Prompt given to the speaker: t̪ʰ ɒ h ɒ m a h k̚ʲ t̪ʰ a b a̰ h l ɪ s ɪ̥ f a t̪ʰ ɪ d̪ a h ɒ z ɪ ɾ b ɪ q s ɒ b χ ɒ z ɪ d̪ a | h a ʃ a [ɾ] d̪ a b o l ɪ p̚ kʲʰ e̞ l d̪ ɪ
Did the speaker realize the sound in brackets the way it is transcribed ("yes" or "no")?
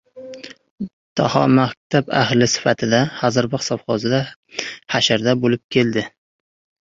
yes